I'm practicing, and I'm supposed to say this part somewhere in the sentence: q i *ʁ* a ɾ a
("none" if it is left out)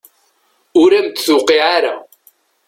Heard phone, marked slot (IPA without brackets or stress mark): ʕ